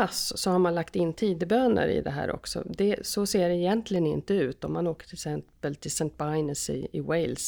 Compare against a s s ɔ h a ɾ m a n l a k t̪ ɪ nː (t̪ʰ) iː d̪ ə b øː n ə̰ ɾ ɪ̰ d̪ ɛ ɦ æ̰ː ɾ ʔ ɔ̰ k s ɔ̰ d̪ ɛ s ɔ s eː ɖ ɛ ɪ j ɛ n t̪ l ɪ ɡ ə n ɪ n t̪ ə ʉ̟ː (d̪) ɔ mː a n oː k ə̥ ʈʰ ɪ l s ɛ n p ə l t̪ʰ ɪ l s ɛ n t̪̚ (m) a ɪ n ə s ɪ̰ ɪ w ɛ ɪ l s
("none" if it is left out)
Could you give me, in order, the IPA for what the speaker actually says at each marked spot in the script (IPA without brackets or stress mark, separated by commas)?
t̪ʰ, t̪, b